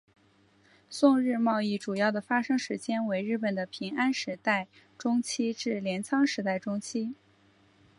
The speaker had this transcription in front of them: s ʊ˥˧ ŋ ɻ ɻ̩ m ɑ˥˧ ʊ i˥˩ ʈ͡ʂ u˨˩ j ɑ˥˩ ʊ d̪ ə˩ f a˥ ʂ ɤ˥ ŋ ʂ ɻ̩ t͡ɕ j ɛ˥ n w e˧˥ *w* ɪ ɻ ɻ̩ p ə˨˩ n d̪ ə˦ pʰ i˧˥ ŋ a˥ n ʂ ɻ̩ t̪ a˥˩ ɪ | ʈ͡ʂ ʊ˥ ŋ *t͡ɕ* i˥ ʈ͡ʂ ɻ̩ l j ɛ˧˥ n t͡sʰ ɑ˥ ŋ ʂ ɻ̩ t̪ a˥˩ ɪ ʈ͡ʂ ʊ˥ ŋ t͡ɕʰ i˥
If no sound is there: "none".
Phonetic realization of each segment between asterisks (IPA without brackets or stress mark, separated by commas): none, t͡ɕʰ